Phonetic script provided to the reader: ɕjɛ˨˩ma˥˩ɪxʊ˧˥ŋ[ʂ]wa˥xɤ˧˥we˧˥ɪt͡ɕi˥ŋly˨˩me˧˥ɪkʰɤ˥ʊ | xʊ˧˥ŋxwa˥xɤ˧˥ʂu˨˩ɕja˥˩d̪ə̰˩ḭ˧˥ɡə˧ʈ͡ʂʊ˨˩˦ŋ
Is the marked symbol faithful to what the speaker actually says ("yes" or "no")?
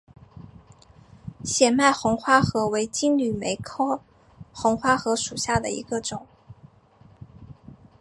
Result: no